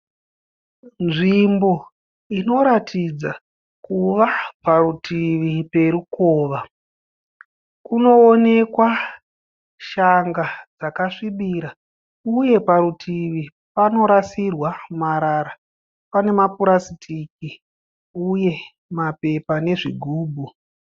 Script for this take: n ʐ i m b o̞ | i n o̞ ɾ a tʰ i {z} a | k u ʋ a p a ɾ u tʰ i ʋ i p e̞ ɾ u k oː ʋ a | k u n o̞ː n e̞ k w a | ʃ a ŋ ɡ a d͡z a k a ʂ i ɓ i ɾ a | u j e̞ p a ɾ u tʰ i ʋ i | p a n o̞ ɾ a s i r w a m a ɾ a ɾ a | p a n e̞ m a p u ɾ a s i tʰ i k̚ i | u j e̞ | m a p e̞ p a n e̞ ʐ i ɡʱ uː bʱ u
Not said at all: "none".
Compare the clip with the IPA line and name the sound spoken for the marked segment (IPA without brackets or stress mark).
d͡z